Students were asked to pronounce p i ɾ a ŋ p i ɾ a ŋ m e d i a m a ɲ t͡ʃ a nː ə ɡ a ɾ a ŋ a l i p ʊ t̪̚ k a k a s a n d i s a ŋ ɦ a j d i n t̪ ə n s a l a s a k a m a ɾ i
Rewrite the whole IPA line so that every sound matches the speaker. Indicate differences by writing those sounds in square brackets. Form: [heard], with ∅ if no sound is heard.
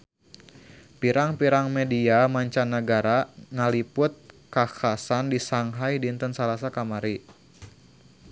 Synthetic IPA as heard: p i ɾ a ŋ p i ɾ a ŋ m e d i a m a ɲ t͡ʃ a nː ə ɡ a ɾ a ŋ a l i p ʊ t̪̚ k a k a s a n d i s a ŋ ɦ a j d i n t̪ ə n s a l a s a k a m a ɾ i